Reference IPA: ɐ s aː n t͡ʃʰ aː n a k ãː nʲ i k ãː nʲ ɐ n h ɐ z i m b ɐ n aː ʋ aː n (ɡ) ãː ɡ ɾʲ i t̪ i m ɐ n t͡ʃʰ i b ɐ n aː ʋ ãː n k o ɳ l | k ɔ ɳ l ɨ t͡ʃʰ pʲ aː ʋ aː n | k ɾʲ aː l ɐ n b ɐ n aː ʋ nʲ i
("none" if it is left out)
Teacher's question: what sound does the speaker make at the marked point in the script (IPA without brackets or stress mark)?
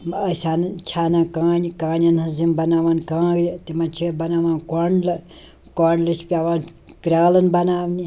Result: k